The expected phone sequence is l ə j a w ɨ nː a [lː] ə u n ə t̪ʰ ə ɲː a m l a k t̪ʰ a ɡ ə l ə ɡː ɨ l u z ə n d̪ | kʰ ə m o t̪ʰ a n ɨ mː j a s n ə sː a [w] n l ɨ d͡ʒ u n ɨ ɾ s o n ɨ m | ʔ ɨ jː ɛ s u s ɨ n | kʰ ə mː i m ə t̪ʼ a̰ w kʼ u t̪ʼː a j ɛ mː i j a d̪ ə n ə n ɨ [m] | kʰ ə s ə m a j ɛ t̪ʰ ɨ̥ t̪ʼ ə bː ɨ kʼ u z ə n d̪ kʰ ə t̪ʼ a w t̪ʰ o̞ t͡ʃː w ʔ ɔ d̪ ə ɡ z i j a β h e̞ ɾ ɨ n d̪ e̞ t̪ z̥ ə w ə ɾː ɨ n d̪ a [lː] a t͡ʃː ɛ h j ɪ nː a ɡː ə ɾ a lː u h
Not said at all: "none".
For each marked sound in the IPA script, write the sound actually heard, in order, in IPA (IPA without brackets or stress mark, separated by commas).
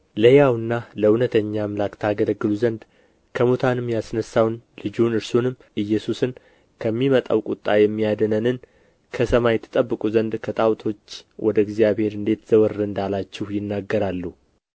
l, w, n, l